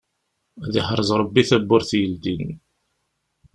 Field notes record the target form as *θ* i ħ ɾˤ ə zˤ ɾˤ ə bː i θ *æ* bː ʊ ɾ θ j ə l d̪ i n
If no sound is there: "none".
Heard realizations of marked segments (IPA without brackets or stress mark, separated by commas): ð, æ